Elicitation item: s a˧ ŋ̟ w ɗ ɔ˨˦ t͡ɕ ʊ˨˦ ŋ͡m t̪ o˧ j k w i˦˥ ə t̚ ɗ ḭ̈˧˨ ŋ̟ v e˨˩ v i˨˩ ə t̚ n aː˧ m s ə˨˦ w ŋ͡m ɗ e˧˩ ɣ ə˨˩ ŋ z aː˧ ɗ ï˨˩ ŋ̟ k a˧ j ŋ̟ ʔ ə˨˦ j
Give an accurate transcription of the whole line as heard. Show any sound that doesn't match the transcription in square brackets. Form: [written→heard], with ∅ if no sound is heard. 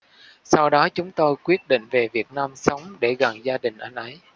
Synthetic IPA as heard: s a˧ [ŋ̟→∅] w ɗ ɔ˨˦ t͡ɕ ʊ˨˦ ŋ͡m t̪ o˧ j k w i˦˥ ə t̚ ɗ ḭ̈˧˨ ŋ̟ v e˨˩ v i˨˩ ə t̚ n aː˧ m s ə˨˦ w ŋ͡m ɗ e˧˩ ɣ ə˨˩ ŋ z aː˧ ɗ ï˨˩ ŋ̟ [k→ʔ] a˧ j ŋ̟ ʔ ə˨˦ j